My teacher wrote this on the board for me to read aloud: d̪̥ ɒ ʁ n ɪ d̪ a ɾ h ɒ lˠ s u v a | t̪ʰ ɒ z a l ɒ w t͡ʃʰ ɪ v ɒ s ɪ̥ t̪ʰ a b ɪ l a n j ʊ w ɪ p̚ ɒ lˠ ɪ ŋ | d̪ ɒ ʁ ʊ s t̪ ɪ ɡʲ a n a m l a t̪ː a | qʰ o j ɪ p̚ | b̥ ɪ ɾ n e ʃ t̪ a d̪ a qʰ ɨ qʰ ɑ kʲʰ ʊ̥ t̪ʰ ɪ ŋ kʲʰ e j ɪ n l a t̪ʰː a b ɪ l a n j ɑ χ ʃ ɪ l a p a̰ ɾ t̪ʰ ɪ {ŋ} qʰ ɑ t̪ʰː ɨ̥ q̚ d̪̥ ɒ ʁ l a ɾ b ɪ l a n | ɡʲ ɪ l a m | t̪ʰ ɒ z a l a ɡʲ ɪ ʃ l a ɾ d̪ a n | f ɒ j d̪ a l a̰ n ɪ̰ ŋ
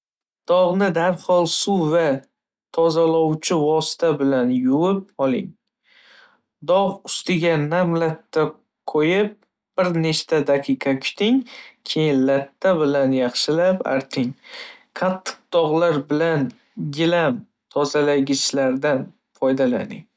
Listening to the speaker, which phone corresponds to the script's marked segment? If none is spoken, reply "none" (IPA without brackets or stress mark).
ŋ